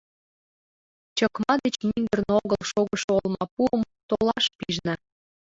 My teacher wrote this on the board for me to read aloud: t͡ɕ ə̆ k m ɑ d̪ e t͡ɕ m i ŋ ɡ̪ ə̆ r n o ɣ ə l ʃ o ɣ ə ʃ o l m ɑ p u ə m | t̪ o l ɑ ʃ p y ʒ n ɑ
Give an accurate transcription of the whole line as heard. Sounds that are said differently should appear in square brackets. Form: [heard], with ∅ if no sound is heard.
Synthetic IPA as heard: t͡ɕ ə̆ k m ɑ d̪ e t͡ɕ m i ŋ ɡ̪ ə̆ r n o ɣ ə l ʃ o ɣ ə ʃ o l m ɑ p u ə m | t̪ o l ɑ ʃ p [i] ʒ n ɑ